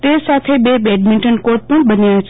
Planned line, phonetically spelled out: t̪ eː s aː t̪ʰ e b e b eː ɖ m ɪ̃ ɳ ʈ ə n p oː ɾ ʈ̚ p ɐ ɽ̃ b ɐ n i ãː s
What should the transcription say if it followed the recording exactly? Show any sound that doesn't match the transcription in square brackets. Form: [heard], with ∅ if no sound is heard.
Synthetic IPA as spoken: t̪ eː s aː t̪ʰ e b e b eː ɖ m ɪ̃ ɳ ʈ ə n [k] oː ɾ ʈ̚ p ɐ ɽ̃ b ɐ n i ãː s